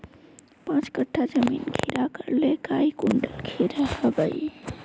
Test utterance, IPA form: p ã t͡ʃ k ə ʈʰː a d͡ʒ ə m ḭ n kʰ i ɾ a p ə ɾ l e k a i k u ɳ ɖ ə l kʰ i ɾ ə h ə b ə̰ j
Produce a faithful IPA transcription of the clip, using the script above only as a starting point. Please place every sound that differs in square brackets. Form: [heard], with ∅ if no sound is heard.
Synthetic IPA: p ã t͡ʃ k ə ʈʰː a d͡ʒ ə m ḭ n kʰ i ɾ a [k] ə ɾ l e k a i k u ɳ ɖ ə l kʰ i ɾ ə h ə b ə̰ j